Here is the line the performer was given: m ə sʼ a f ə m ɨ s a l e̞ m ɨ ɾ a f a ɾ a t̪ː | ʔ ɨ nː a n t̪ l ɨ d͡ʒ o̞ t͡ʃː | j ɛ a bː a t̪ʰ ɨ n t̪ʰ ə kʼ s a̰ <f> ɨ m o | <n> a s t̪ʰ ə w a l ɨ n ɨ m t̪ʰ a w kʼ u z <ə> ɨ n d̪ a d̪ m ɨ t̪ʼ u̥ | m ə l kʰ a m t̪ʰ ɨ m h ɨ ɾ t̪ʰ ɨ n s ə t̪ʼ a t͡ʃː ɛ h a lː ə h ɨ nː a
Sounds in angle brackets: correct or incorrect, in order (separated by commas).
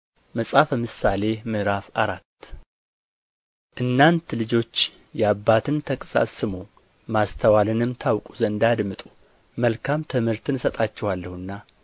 incorrect, incorrect, correct